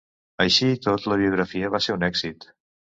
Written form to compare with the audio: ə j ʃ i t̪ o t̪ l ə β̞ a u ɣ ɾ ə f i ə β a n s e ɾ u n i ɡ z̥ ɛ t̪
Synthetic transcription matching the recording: ə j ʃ i t̪ o t̪ l ə β̞ i u ɣ ɾ ə f i ə β a s e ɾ u n ɛ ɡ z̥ i t̪